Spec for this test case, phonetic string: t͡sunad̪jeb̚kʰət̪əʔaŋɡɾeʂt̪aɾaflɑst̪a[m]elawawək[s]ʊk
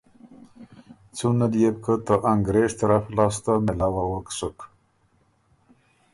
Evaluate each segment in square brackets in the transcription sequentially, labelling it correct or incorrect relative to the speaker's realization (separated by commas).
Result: correct, correct